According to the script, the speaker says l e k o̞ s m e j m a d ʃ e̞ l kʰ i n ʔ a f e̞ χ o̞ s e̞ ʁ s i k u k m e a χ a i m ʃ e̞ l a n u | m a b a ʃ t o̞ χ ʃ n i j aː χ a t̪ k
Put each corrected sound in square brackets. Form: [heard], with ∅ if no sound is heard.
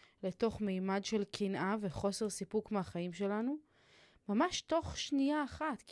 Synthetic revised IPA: l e [t] o̞ [χ] m e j m a d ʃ e̞ l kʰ i n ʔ a [v] e̞ χ o̞ s e̞ ʁ s i [p] u k m e a χ a i m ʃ e̞ l a n u | m a [m] a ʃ t o̞ χ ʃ n i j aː χ a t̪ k